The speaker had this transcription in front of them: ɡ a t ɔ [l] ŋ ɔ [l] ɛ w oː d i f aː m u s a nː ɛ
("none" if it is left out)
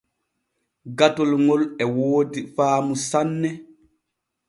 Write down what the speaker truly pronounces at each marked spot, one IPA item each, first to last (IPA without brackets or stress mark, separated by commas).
l, l